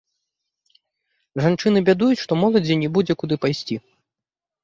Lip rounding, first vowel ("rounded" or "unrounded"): unrounded